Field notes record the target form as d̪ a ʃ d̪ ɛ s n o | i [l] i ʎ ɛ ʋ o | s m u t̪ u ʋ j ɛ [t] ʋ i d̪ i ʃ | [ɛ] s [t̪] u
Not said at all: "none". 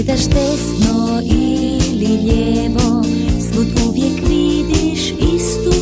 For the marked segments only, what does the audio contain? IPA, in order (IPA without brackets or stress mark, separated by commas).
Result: l, k, i, t̪